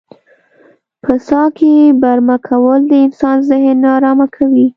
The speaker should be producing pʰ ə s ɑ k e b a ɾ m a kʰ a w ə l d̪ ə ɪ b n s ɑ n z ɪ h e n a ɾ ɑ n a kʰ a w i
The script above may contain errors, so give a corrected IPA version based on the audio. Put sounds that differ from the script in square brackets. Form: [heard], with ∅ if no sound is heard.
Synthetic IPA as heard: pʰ ə s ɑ k e b a ɾ m a kʰ a w ə l d̪ ə ɪ [∅] n s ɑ n z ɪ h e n [ɑ] ɾ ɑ [m] a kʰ a w i